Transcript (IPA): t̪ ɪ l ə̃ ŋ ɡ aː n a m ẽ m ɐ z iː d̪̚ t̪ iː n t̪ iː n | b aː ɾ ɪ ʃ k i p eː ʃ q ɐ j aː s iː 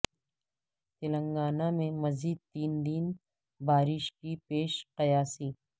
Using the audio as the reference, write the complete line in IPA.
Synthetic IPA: t̪ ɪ l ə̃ ŋ ɡ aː n a m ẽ m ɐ z iː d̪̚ t̪ iː n d̪ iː n | b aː ɾ ɪ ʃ k i p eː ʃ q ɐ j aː s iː